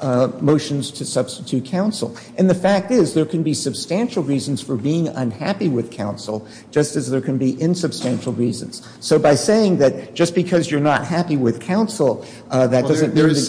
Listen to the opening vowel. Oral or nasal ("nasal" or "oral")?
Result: oral